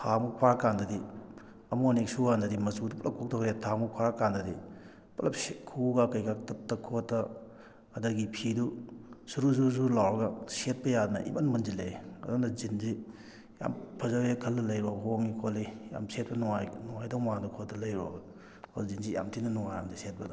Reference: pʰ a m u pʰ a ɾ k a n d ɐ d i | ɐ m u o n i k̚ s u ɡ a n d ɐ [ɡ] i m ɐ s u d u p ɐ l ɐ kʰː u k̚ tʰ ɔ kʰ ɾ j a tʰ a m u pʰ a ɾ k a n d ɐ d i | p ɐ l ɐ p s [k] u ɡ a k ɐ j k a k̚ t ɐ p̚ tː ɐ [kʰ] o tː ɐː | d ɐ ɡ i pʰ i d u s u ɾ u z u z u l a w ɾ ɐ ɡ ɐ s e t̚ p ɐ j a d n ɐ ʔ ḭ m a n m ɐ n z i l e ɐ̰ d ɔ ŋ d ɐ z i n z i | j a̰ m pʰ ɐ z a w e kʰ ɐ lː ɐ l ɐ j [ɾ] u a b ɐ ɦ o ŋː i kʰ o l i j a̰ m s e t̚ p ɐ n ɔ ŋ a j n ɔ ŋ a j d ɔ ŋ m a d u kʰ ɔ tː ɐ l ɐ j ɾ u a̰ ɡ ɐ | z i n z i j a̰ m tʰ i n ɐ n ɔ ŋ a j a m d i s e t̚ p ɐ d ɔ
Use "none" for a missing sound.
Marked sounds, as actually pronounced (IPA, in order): d, kʰ, kʰ, ɾ

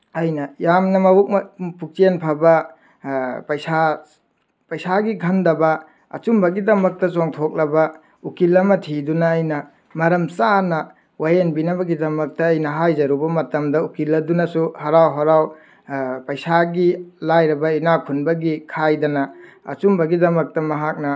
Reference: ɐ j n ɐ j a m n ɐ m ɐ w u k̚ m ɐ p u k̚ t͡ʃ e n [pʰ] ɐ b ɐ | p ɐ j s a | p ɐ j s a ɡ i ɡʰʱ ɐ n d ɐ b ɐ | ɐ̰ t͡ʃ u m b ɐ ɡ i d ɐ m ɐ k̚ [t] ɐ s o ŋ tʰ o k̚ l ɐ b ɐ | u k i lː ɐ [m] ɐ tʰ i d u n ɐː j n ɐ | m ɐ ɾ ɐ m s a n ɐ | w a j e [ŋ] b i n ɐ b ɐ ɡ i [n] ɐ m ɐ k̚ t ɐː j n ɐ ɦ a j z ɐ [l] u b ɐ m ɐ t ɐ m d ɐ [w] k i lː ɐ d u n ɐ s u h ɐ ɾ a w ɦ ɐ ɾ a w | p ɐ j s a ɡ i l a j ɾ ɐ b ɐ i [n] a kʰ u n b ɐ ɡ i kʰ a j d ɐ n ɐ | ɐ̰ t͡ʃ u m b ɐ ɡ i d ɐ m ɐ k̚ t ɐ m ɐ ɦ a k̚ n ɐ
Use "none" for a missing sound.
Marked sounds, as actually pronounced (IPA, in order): pʰ, t, m, n, d, ɾ, u, n

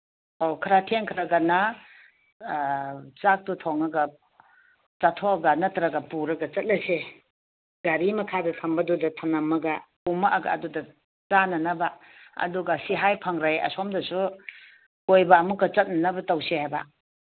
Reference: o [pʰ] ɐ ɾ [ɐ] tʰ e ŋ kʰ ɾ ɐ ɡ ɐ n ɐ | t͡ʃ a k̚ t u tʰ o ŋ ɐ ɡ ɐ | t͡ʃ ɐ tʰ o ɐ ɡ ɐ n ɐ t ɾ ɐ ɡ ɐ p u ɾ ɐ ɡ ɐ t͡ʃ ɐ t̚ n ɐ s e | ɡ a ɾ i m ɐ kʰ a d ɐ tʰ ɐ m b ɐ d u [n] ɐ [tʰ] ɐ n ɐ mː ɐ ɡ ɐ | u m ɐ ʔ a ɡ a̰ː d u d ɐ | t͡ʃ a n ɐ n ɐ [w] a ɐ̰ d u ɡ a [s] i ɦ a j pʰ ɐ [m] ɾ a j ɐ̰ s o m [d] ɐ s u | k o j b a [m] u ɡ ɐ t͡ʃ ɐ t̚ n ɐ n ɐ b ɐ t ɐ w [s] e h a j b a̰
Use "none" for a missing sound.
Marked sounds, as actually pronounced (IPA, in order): kʰ, a, d, tʰ, b, s, ŋ, d, m, s

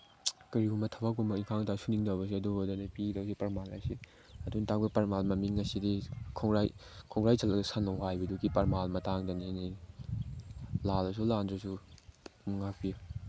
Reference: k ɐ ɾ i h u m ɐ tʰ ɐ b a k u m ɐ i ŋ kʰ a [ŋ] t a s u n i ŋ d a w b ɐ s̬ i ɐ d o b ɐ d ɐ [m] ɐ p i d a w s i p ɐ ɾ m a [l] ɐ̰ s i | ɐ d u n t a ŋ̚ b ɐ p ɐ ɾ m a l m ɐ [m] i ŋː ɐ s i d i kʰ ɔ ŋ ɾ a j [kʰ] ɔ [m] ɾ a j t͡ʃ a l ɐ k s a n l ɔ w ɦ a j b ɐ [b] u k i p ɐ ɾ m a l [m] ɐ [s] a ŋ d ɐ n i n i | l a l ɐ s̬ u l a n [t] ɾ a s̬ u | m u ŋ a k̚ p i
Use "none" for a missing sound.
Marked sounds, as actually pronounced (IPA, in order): ŋ, n, l, m, kʰ, ŋ, d, m, t, d

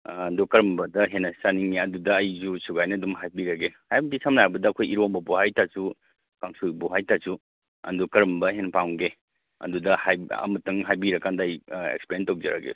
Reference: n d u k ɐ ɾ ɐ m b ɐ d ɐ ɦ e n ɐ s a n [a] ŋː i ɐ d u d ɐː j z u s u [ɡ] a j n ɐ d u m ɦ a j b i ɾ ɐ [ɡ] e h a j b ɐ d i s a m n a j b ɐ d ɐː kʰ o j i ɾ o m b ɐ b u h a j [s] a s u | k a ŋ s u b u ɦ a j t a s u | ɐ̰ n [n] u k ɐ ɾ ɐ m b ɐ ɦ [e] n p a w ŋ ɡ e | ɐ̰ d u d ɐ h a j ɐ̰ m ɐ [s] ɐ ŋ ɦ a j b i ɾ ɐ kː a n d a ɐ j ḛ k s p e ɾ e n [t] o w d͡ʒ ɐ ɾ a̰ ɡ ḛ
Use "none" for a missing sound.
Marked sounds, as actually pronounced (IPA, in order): i, ɡ, ɡ, t, d, e, t, t

